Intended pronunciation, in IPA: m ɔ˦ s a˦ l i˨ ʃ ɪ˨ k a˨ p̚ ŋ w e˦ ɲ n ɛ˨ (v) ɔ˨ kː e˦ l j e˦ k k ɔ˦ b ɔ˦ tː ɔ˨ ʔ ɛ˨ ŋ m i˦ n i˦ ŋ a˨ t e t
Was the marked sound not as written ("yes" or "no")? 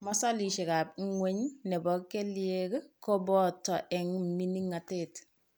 yes